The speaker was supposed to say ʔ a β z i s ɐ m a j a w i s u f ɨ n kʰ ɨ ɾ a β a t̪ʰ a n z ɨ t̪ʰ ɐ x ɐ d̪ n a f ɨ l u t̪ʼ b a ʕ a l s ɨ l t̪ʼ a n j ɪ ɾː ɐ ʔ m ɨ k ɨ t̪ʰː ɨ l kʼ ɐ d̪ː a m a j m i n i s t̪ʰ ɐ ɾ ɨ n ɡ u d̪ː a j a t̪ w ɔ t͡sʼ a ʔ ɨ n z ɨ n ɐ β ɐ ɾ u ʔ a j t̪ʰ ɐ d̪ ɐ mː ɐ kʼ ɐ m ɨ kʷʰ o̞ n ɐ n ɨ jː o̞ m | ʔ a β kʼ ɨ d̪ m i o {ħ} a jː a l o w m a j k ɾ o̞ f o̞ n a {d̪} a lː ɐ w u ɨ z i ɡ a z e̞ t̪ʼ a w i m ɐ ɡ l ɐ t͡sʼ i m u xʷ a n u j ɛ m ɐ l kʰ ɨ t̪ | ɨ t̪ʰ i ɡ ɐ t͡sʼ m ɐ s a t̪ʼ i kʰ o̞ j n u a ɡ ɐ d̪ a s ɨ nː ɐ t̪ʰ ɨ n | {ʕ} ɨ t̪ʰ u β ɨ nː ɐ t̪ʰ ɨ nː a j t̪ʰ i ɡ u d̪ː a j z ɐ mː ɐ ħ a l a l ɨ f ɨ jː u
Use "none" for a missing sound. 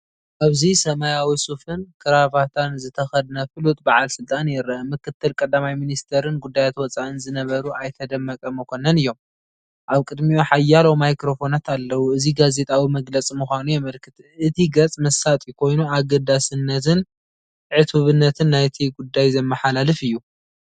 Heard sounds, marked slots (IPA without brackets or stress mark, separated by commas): ħ, t̪, ʕ